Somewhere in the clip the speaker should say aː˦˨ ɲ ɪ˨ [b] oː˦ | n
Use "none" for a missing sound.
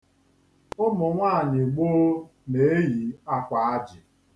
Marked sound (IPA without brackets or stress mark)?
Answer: ɡ͡b